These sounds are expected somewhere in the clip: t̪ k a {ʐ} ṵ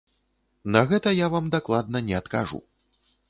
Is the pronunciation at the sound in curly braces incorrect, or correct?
correct